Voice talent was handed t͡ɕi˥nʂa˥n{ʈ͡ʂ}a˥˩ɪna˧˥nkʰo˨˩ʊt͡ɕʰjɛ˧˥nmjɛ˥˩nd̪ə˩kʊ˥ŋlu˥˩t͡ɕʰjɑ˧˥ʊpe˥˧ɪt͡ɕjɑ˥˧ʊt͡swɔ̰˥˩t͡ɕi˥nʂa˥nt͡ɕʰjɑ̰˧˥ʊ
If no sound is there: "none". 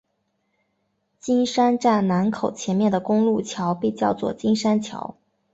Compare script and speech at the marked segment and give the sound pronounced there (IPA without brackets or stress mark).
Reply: ʈ͡ʂ